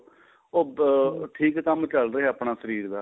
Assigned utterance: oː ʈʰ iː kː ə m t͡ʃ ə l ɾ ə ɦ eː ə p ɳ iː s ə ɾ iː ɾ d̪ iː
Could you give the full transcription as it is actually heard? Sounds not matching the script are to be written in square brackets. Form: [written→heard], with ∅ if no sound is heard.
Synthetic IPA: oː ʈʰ iː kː ə m t͡ʃ ə l ɾ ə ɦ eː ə p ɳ [iː→aː] s ə ɾ iː ɾ d̪ [iː→aː]